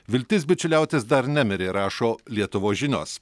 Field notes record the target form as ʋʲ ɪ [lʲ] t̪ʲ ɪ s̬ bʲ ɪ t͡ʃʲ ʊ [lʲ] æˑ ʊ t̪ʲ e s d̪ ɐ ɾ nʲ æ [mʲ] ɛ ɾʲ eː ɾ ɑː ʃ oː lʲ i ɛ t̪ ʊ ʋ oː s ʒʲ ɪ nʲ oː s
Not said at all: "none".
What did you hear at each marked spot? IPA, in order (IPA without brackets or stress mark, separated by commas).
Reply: lʲ, lʲ, mʲ